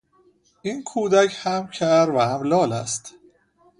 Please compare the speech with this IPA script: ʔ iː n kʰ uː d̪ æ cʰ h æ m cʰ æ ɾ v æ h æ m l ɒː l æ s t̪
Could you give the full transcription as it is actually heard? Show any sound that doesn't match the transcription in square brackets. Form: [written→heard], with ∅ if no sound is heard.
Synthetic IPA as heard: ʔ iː n kʰ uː d̪ æ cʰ h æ m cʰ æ ɾ v æ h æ m l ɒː l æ s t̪